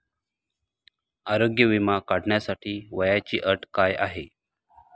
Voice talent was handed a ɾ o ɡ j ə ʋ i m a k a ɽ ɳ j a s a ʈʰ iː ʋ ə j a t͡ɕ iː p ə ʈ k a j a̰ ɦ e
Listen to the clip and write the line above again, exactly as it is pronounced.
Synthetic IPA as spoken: a ɾ o ɡ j ə ʋ i m a k a ɽ ɳ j a s a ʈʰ iː ʋ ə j a t͡ɕ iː ʔ ə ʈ k a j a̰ ɦ e